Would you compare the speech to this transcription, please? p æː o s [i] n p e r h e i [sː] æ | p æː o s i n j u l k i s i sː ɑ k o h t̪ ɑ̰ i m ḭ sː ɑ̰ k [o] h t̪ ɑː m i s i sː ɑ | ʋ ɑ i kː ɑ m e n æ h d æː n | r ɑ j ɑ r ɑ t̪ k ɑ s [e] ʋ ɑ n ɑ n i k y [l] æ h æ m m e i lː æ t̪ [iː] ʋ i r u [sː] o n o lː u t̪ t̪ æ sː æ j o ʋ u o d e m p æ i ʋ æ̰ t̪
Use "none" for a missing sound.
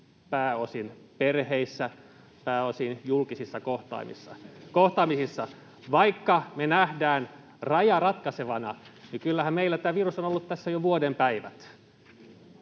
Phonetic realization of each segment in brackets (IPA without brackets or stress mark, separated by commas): i, sː, o, e, lː, æː, s